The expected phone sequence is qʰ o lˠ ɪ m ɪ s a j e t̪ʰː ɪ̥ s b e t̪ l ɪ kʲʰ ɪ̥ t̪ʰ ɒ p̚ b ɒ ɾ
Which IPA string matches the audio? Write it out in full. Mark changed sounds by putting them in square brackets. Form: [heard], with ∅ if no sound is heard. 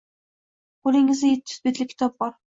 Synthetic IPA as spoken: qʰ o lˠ ɪ [ŋ] ɪ [z] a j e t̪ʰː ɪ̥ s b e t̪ l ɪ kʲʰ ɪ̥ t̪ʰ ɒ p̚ b ɒ ɾ